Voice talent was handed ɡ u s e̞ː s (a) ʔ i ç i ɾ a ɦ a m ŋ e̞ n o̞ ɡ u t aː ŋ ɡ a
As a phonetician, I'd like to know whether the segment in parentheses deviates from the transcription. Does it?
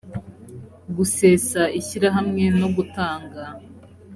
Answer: no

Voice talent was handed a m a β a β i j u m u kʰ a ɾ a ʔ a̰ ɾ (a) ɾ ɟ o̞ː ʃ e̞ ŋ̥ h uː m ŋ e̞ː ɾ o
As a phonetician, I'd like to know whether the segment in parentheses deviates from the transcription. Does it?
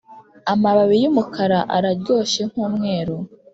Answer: no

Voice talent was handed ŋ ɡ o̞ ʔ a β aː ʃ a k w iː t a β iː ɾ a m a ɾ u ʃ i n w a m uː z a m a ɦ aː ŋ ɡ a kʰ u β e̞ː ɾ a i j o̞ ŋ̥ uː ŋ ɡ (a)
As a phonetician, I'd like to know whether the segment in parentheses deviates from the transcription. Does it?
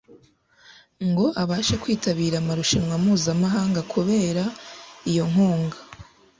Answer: no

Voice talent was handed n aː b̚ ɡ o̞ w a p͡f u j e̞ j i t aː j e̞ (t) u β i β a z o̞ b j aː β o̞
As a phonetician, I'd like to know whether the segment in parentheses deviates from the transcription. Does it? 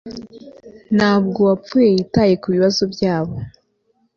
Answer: yes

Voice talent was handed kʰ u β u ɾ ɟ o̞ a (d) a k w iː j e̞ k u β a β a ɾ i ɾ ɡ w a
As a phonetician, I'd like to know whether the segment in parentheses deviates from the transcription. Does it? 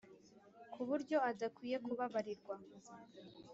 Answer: no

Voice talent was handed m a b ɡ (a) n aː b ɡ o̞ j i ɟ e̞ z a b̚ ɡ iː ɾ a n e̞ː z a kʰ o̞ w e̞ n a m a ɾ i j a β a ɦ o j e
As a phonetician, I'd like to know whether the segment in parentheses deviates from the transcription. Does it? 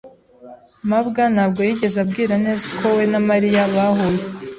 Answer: no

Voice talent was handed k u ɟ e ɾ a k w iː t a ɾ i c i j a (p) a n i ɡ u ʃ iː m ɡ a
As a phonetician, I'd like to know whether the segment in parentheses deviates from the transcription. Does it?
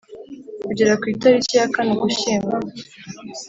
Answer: yes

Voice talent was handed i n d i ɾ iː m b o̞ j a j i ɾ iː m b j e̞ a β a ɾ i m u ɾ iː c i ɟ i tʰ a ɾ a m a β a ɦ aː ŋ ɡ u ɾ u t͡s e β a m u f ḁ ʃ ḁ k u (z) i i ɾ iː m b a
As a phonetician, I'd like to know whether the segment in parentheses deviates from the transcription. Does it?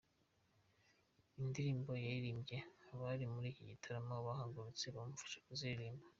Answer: no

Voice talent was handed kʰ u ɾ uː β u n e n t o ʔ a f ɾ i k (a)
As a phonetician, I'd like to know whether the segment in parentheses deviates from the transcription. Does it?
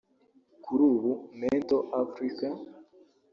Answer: no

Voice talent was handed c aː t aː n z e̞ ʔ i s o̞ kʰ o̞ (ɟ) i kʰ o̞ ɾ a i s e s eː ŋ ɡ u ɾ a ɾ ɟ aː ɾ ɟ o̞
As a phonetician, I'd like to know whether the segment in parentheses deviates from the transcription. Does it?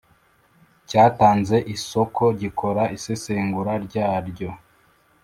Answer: no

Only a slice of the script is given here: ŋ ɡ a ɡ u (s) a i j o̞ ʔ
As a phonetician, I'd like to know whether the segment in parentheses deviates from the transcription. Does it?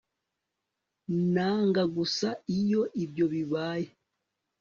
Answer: no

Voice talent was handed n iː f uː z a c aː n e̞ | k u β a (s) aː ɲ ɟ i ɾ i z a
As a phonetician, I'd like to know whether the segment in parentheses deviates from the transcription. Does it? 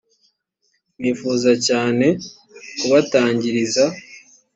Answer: yes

